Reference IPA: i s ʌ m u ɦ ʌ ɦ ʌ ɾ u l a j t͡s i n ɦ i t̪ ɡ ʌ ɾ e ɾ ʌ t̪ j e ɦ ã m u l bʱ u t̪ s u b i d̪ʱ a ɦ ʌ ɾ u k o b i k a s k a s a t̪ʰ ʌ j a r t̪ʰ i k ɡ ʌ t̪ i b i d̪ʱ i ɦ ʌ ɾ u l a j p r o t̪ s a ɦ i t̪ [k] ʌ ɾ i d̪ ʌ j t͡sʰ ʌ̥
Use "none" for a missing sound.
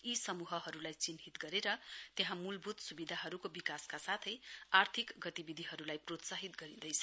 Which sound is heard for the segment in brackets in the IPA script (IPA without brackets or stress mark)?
ɡ